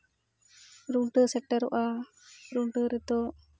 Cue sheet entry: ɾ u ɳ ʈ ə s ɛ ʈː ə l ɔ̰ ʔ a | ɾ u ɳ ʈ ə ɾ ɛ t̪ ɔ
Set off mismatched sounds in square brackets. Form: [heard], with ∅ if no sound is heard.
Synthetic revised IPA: ɾ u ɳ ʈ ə s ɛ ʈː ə [ɾ] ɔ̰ ʔ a | ɾ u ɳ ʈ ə ɾ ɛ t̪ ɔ

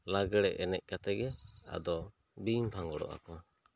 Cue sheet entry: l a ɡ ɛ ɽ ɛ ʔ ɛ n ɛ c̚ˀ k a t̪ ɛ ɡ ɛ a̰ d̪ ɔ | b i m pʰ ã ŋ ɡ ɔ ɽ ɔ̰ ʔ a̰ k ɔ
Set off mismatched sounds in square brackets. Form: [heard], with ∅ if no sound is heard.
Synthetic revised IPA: l a ɡ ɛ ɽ ɛ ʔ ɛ n ɛ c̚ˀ k a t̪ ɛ ɡ ɛ a̰ d̪ ɔ | b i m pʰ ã ŋ ɡ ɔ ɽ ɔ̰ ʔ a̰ k ɔ

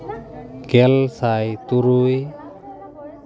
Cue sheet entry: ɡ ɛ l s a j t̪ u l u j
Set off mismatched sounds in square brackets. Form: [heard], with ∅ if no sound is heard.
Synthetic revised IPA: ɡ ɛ l s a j t̪ u [ɾ] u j

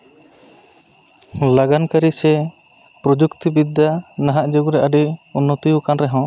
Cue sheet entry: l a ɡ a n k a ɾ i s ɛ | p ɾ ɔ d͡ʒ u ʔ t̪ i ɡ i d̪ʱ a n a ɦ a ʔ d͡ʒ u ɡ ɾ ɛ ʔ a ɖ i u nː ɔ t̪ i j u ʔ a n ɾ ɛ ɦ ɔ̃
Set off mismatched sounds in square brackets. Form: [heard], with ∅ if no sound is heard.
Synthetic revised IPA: l a ɡ a n k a ɾ i s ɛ | p ɾ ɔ d͡ʒ u [k] t̪ i [b] i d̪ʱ a n a ɦ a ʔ d͡ʒ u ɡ ɾ ɛ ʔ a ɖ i u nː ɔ t̪ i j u [k] a n ɾ ɛ ɦ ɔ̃

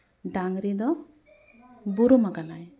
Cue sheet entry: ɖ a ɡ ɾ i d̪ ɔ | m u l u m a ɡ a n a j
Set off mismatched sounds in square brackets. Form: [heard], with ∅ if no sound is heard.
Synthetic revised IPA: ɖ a [ŋ] ɾ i d̪ ɔ | [b] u [ɾ] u m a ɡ a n a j

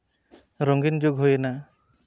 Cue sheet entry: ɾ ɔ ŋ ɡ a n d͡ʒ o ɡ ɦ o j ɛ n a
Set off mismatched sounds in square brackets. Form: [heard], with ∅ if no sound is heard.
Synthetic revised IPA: ɾ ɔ ŋ ɡ [i] n d͡ʒ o ɡ ɦ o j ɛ n a

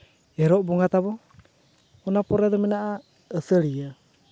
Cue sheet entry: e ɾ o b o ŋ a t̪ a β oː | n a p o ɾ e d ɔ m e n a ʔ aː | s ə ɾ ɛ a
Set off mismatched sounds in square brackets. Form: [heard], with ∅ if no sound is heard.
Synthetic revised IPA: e ɾ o b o ŋ a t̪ a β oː | n a p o ɾ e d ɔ m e n a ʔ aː | s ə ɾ [i] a

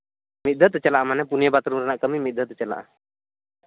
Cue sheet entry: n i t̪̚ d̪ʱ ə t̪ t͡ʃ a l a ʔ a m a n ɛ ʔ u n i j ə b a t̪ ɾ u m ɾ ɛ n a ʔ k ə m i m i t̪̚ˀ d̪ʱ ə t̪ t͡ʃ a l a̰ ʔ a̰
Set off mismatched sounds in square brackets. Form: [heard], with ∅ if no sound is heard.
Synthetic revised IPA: [m] i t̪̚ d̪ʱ ə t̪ t͡ʃ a l a ʔ a m a n ɛ [p] u n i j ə b a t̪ ɾ u m ɾ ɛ n a ʔ k ə m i m i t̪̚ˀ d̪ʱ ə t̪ t͡ʃ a l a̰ ʔ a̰

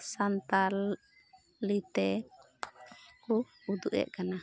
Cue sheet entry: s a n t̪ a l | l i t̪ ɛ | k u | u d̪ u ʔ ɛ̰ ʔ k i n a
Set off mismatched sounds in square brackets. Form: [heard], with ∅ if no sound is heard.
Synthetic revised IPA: s a n t̪ a l | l i t̪ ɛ | k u | u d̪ u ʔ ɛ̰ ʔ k [a] n a

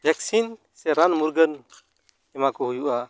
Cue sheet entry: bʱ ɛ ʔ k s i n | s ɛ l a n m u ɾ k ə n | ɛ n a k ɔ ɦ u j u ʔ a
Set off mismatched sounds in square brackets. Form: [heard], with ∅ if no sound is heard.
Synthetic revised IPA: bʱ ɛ [∅] k s i n | s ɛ [ɾ] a n m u ɾ [ɡ] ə n | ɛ [m] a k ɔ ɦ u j u ʔ a

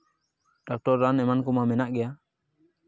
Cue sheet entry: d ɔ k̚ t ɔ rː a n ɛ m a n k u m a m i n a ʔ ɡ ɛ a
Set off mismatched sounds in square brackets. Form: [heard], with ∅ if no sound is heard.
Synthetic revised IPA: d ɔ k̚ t ɔ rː a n ɛ m a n k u m a m [ɛ] n a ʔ ɡ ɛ a

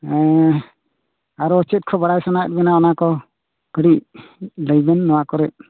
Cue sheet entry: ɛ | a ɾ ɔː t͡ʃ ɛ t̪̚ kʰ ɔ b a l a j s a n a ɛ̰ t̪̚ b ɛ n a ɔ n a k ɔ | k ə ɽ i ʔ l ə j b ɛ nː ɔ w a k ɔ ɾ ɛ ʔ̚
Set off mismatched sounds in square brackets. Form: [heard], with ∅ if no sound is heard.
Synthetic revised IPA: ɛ | a ɾ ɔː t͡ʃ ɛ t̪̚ kʰ ɔ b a [ɽ] a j s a n a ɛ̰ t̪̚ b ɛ n a ɔ n a k ɔ | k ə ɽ i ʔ l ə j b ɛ nː ɔ w a k ɔ ɾ ɛ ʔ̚

